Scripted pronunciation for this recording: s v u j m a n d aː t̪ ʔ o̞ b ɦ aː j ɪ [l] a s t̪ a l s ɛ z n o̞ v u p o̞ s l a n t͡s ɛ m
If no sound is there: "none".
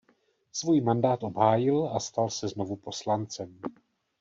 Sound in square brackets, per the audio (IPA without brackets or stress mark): l